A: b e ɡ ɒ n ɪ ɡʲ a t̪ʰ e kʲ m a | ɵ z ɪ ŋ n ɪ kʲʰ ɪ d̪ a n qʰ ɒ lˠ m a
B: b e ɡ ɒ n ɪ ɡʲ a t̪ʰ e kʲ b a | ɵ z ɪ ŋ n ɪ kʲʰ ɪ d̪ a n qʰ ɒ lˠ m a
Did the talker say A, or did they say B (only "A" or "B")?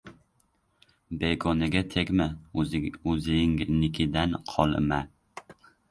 A